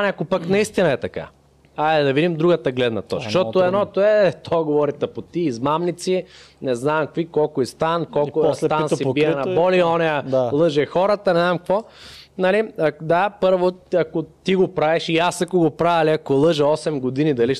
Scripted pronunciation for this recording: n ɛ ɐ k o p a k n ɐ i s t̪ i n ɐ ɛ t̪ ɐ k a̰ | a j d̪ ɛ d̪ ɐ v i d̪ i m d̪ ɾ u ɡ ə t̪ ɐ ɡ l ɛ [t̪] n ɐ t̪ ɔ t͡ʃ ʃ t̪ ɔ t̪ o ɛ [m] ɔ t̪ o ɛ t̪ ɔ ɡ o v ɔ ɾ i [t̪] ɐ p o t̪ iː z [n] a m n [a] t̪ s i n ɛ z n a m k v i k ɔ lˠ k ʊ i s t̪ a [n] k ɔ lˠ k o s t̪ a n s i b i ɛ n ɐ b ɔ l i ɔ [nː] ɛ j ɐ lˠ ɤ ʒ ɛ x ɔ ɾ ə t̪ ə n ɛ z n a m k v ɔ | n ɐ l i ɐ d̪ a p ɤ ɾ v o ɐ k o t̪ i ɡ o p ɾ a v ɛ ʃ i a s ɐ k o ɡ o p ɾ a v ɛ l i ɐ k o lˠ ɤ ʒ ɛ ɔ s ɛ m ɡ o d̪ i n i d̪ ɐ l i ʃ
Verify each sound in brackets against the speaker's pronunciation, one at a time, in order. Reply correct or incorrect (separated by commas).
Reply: incorrect, incorrect, correct, incorrect, incorrect, correct, incorrect